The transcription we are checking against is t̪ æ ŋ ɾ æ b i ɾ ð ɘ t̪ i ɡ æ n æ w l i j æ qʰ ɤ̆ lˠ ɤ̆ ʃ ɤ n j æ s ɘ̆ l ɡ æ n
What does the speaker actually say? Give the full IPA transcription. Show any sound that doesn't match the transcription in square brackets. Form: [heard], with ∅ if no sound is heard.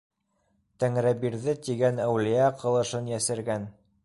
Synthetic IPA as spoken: t̪ æ ŋ ɾ æ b i ɾ ð ɘ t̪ i ɡ æ n æ w l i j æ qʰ ɤ̆ lˠ ɤ̆ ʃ ɤ n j æ s ɘ̆ [ɾ] ɡ æ n